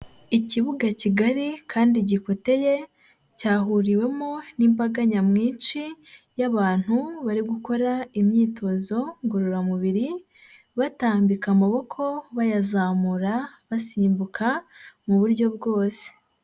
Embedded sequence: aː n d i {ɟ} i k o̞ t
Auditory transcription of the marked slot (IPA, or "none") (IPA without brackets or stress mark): ɟ